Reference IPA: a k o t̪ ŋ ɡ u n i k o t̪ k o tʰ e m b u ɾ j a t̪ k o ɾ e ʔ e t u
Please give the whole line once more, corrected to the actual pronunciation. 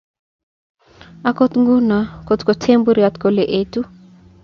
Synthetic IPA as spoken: a k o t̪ ŋ ɡ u n a k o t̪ k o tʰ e m b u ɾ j a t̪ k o l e ʔ e t u

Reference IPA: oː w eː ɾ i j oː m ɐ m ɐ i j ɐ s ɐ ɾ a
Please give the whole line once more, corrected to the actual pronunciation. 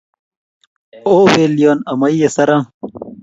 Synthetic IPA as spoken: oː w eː l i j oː n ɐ m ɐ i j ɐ s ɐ ɾ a

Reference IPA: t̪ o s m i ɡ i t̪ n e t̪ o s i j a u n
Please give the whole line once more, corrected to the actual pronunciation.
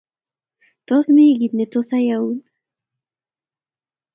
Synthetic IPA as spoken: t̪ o s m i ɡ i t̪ n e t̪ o s a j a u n

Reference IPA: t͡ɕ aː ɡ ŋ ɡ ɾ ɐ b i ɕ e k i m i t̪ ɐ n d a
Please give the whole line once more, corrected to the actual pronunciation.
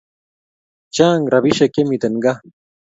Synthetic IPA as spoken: t͡ɕ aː ŋ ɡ ɾ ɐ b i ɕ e k e m i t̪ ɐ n ɡ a

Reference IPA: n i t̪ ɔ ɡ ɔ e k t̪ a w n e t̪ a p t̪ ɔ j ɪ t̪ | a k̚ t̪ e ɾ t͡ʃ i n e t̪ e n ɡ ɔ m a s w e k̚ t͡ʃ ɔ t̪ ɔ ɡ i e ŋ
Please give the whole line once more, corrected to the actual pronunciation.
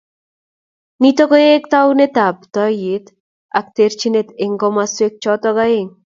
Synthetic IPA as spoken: n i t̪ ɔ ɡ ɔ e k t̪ a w n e t̪ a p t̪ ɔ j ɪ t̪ | a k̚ t̪ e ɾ t͡ʃ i n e t̪ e ŋ ɡ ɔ m a s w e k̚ t͡ʃ ɔ t̪ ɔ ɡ a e ŋ

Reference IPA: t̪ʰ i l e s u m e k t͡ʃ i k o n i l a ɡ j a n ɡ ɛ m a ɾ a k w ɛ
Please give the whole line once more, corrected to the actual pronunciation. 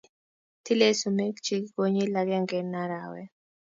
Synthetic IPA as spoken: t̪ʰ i l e s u m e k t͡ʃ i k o ɲ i l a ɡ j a ŋ ɡ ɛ n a ɾ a w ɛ

